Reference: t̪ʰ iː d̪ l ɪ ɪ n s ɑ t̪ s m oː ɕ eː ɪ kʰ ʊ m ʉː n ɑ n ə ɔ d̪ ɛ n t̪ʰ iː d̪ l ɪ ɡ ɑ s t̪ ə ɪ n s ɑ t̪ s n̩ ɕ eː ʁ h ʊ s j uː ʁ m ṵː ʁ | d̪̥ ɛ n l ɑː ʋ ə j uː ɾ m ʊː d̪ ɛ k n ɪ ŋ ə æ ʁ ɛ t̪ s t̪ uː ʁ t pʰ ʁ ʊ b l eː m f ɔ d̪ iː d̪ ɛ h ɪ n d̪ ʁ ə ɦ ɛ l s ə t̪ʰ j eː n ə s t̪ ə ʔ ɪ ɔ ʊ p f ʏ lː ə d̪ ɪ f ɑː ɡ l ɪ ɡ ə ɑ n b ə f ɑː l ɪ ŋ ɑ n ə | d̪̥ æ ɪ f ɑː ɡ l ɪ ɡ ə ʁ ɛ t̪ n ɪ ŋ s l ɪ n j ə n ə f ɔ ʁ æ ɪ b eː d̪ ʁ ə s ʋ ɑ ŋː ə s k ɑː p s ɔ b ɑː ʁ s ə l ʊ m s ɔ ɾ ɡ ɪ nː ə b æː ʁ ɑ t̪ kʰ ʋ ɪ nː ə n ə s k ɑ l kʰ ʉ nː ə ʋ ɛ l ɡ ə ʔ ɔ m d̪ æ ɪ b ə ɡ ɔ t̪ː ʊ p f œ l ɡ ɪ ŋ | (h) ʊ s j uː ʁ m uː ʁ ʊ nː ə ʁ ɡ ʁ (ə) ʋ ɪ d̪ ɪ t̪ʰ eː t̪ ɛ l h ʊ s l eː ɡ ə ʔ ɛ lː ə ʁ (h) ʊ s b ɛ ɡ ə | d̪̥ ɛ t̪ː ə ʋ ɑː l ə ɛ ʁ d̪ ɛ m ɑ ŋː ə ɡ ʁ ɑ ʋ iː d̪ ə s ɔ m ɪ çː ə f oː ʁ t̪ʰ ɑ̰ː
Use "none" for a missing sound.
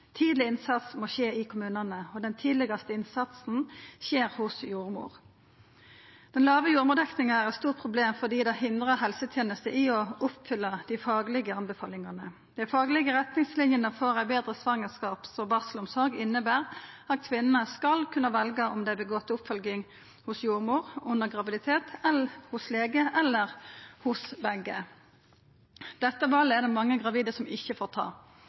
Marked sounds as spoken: h, ɑ, h

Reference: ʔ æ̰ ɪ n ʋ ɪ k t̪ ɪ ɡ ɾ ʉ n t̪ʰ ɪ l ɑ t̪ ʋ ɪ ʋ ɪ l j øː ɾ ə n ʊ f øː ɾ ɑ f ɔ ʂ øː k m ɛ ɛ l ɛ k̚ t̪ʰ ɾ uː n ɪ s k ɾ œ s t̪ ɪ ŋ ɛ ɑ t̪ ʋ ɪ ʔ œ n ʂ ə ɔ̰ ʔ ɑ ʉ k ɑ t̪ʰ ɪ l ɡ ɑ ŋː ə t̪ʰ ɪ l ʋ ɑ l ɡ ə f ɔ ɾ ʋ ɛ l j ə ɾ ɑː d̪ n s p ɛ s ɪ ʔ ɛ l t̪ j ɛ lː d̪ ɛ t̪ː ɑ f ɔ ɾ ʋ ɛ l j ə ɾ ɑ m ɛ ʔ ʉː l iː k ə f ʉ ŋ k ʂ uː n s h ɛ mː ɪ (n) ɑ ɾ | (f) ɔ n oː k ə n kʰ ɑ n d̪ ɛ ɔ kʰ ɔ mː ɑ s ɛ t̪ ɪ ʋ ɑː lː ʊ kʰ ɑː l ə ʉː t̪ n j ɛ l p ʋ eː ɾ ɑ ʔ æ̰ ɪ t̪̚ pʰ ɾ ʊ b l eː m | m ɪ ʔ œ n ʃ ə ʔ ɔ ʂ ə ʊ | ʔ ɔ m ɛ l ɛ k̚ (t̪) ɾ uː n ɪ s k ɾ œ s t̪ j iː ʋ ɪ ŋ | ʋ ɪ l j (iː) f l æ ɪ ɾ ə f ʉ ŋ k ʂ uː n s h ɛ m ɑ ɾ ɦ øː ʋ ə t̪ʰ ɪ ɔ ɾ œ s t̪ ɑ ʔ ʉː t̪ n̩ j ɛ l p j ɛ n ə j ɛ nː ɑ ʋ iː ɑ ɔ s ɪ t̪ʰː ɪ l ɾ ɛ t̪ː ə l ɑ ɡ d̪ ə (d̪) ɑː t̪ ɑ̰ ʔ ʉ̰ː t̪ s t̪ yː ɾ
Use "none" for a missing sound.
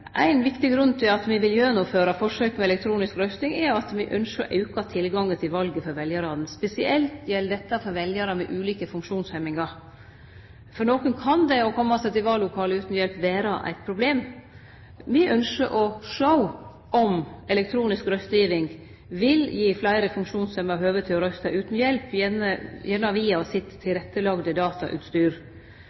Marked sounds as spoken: ŋ, f, t̪ʰ, iː, d̪

